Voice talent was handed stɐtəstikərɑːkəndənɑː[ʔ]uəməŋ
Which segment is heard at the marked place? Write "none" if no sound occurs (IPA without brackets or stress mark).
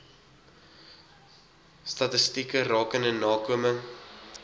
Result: k